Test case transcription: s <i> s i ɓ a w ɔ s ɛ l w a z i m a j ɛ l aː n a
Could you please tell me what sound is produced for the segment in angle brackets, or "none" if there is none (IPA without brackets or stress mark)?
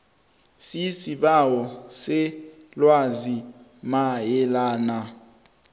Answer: i